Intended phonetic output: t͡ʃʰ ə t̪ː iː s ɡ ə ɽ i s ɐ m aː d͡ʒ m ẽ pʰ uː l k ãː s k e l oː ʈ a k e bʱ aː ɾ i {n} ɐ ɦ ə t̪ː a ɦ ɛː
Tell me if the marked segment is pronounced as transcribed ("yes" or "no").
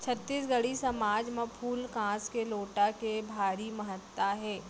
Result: no